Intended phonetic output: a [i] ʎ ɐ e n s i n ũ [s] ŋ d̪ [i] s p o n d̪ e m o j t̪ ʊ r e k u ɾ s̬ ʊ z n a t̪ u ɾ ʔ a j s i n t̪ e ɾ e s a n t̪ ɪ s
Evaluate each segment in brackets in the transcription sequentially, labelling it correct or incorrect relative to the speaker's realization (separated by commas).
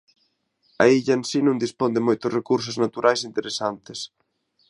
correct, incorrect, correct